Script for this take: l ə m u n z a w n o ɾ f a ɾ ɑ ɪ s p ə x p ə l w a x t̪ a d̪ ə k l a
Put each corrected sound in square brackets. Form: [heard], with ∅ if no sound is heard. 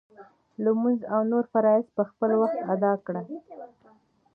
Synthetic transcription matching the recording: l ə m u n z a w n o ɾ f a ɾ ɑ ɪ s p ə x p ə l w a x t̪ a d̪ [ɑ] k [ɽ] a